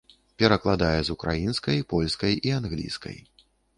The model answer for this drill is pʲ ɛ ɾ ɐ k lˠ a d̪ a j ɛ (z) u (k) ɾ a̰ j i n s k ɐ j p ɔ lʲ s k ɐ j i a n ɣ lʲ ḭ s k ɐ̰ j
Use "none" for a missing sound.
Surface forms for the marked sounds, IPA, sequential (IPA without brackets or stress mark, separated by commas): z, k